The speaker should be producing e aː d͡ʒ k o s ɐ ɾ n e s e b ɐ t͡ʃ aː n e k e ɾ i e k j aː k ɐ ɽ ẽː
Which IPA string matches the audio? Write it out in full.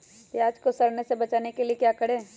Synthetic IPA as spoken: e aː d͡ʒ k o s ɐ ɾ n e s e b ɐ t͡ʃ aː n e k e l i e k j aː k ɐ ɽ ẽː